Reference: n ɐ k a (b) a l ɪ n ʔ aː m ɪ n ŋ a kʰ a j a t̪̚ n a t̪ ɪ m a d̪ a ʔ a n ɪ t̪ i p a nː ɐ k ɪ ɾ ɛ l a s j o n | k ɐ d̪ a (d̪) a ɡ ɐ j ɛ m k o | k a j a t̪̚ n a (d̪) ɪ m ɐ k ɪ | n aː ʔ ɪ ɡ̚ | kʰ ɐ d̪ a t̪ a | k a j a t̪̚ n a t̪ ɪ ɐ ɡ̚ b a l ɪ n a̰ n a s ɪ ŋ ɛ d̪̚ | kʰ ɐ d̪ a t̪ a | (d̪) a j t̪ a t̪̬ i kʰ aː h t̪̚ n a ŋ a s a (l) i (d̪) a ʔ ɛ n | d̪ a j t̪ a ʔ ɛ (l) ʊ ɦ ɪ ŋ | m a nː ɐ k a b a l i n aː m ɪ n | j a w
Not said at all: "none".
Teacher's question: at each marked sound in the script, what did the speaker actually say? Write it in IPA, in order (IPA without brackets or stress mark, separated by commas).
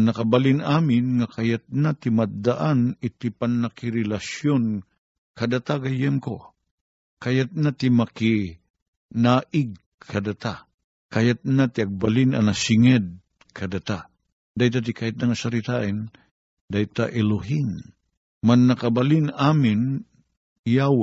b, t̪, t̪, d̪, ɾ, t̪, l